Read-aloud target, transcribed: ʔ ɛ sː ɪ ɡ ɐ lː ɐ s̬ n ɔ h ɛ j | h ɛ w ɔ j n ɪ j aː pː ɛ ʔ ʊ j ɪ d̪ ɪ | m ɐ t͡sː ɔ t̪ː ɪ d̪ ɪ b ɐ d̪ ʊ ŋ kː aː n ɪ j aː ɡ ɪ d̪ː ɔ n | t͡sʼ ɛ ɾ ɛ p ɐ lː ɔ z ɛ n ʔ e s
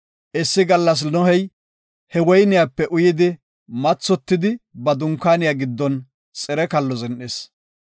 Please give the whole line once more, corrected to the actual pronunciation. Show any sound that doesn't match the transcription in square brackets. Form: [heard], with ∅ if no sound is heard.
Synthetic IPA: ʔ ɛ sː ɪ ɡ ɐ lː ɐ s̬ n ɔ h ɛ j | h ɛ w ɔ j n ɪ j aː pː ɛ ʔ ʊ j ɪ d̪ ɪ | m ɐ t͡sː ɔ t̪ː ɪ d̪ ɪ b ɐ d̪ ʊ ŋ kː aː n ɪ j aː ɡ ɪ d̪ː ɔ n | t͡sʼ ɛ ɾ ɛ [k] ɐ lː ɔ z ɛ n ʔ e s